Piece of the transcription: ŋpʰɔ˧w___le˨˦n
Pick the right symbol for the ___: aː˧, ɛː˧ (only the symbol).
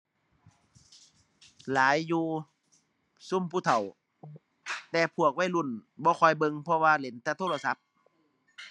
aː˧